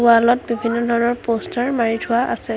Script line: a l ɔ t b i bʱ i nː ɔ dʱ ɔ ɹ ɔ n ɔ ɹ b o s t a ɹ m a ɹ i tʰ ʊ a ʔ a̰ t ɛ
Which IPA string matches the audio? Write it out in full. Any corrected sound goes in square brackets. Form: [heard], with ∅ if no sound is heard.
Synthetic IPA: a l ɔ t b i bʱ i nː ɔ dʱ ɔ ɹ ɔ n ɔ ɹ [p] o s t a ɹ m a ɹ i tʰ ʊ a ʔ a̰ [s] ɛ